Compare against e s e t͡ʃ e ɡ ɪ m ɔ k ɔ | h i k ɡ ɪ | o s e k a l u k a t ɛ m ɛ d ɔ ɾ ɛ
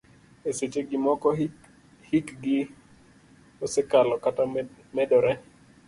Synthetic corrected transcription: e s e t͡ʃ e ɡ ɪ m ɔ k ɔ | h i k ɡ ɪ | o s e k a l ɔ k a t a m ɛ d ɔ ɾ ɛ